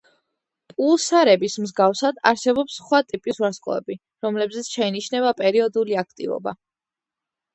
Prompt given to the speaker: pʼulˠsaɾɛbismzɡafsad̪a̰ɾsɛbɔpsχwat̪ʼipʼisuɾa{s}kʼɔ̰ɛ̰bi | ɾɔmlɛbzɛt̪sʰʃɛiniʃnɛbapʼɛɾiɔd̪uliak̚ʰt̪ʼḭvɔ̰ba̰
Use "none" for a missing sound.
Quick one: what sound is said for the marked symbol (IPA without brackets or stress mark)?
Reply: s